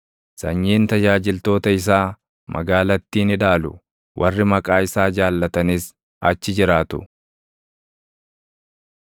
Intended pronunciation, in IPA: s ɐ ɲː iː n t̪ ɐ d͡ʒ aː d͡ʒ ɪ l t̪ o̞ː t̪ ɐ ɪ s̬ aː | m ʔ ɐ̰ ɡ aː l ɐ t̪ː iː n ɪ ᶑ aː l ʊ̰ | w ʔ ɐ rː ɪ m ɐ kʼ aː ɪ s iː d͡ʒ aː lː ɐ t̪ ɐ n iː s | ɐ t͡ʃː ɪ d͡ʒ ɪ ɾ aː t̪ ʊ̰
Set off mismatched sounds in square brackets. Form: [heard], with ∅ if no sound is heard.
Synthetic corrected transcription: s ɐ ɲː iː n t̪ ɐ d͡ʒ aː d͡ʒ ɪ l t̪ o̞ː t̪ ɐ ɪ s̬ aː | m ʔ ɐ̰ ɡ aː l ɐ t̪ː iː n ɪ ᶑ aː l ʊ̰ | w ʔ ɐ rː ɪ m ɐ kʼ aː ɪ s [aː] d͡ʒ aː lː ɐ t̪ ɐ n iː s | ɐ t͡ʃː ɪ d͡ʒ ɪ ɾ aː t̪ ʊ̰